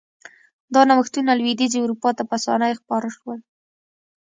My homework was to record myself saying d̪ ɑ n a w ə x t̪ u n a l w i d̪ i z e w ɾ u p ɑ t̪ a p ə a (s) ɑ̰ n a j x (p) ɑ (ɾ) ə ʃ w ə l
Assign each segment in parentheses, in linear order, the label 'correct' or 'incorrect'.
correct, correct, correct

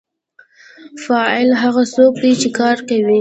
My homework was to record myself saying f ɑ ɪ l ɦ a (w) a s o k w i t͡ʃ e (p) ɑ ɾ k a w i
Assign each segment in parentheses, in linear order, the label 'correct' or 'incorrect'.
incorrect: ɣ, incorrect: k

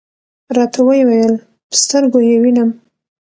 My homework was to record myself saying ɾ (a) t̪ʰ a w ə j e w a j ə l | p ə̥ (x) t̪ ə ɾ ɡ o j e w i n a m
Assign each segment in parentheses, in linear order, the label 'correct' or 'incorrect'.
incorrect: ɑ, incorrect: s

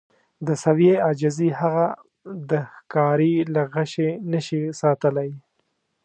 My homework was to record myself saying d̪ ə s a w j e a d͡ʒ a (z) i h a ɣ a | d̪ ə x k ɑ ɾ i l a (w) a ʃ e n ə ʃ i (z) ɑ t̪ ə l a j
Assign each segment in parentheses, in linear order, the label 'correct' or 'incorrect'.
correct, incorrect: ɣ, incorrect: s

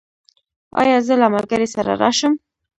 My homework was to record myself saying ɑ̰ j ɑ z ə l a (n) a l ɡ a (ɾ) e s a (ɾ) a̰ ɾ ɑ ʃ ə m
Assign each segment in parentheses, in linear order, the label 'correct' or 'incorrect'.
incorrect: m, correct, correct

